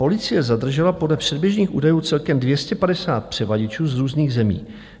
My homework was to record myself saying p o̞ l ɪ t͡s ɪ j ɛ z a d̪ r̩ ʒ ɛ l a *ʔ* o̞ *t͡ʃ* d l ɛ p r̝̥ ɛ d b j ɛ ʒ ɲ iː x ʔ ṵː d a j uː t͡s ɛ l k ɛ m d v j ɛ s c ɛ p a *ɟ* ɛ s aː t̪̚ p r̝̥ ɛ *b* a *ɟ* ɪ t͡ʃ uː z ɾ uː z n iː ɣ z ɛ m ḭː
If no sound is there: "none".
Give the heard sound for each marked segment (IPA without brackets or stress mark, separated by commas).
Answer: p, none, d, v, ɟ